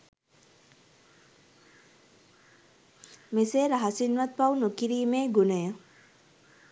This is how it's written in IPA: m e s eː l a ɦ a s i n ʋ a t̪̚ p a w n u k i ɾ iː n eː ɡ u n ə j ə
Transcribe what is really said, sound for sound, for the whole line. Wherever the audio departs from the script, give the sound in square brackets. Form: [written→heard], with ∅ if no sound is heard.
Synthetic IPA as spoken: m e s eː [l→ɾ] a ɦ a s i n ʋ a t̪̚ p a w n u k i ɾ iː [n→m] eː ɡ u n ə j ə